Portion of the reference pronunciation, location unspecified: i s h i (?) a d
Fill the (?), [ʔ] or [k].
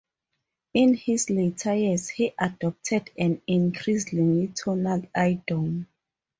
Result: ʔ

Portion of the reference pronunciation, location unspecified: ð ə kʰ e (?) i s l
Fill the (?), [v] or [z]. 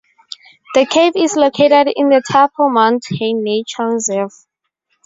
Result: v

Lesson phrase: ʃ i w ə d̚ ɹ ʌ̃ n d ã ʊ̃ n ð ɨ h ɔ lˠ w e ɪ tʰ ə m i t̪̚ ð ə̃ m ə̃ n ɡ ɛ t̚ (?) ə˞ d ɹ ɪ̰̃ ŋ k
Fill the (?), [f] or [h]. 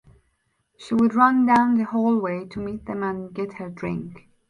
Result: h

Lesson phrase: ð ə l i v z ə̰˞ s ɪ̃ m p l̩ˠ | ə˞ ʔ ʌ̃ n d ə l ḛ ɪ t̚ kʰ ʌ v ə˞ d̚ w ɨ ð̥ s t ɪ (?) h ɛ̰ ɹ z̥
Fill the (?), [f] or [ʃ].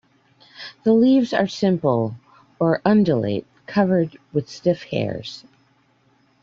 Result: f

